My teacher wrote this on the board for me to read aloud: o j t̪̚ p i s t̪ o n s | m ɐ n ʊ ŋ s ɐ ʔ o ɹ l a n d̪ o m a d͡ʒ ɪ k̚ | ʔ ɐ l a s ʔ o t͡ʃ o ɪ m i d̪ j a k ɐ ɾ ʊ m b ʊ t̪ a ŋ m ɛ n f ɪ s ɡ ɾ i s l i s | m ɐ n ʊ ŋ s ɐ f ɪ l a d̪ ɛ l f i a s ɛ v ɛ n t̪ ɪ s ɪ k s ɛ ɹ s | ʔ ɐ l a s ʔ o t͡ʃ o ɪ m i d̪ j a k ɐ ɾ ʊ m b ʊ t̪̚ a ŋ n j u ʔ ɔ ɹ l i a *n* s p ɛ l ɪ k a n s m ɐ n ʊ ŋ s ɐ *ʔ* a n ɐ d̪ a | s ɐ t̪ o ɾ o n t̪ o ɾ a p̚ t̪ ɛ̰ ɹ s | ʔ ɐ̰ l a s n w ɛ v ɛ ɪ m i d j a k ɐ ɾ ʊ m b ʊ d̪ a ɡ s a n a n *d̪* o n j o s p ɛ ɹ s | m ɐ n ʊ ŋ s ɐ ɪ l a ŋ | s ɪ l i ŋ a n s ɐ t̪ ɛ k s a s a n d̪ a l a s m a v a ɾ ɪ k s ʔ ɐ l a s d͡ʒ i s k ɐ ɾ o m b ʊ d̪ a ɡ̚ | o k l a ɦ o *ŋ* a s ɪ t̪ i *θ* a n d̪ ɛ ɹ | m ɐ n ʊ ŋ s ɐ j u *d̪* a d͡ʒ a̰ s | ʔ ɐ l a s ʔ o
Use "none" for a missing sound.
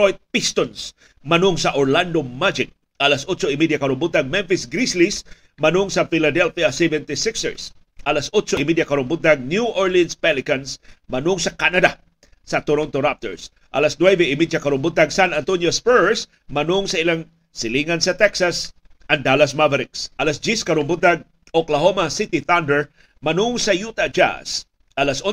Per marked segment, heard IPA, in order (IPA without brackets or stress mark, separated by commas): n, k, t̪, m, θ, t̪